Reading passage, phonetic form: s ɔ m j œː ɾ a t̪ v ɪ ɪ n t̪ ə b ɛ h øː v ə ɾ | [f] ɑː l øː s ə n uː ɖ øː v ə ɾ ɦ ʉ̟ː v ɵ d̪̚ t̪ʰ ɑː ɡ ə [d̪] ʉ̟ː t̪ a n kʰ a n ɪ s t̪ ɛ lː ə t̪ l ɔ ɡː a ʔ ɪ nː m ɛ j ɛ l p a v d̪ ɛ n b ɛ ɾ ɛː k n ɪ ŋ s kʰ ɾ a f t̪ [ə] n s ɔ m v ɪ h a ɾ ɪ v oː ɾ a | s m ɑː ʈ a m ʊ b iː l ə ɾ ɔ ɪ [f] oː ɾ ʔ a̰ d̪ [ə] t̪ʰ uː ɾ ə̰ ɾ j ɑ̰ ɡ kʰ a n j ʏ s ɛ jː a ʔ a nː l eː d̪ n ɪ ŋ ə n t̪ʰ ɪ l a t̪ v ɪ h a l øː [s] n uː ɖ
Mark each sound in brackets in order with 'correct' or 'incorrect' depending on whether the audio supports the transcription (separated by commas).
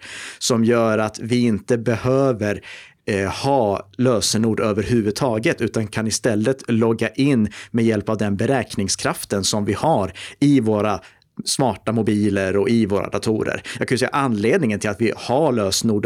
incorrect, incorrect, correct, incorrect, incorrect, correct